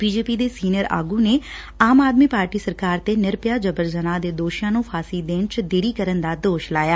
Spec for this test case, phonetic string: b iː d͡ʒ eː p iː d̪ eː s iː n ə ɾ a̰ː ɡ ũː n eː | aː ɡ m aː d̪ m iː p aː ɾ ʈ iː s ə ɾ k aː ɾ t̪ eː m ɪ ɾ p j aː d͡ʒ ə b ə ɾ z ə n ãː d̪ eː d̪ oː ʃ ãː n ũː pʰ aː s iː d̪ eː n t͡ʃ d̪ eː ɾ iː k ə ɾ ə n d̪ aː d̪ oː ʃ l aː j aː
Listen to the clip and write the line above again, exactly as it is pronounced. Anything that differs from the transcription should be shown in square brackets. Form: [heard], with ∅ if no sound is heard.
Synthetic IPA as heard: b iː d͡ʒ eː p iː d̪ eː s iː n ə ɾ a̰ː ɡ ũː n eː | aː [∅] m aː d̪ m iː p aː ɾ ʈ iː s ə ɾ k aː ɾ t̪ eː [n] ɪ ɾ p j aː d͡ʒ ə b ə ɾ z ə n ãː d̪ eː d̪ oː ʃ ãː n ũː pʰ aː s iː d̪ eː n t͡ʃ d̪ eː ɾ iː k ə ɾ ə n d̪ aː d̪ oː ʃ l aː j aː